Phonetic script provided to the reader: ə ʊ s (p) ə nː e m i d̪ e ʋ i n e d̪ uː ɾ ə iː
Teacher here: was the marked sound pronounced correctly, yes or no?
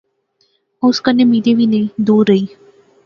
no